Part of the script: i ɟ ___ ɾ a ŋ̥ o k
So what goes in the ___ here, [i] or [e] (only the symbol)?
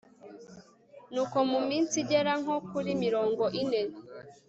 e